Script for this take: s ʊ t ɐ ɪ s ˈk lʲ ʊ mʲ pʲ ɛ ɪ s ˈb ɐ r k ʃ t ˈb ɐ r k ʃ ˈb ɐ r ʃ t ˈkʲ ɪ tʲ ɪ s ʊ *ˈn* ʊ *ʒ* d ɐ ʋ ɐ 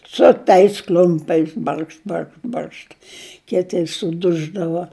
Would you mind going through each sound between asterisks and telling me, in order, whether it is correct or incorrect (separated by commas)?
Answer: incorrect, correct